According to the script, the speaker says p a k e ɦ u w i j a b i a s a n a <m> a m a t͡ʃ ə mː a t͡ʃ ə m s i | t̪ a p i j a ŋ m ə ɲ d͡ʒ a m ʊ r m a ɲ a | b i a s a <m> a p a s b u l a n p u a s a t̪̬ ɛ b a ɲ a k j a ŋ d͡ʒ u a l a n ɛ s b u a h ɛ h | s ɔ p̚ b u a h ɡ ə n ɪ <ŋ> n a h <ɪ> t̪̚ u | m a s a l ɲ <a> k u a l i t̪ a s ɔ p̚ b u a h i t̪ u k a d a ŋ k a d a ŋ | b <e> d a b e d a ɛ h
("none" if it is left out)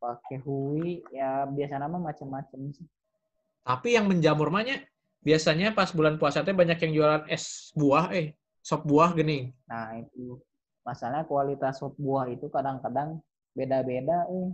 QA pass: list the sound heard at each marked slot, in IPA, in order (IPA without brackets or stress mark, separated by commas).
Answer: m, ɲ, ŋ, i, a, e